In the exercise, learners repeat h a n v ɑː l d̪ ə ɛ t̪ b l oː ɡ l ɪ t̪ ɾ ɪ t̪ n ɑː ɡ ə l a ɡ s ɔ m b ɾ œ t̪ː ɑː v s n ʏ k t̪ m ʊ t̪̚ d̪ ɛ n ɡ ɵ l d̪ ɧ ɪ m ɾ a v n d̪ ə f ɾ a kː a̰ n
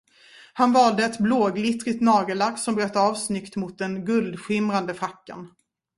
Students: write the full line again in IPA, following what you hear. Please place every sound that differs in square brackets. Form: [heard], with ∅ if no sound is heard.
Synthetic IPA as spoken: h a n v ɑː l d̪ ə ɛ t̪ b l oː ɡ l ɪ t̪ ɾ ɪ t̪ n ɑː ɡ ə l a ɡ s ɔ m b ɾ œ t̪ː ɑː v s n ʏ k t̪ m ʊ t̪̚ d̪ ɛ n ɡ ɵ l d̪ ɧ ɪ m ɾ a [∅] n d̪ ə f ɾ a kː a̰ n